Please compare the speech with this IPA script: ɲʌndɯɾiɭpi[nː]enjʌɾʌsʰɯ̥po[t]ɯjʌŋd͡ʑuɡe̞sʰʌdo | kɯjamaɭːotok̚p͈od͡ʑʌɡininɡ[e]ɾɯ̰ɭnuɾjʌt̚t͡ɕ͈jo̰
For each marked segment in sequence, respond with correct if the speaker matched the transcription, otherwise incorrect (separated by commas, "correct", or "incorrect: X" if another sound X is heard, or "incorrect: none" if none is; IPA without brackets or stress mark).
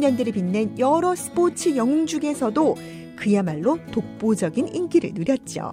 correct, incorrect: t͡ɕʰ, incorrect: i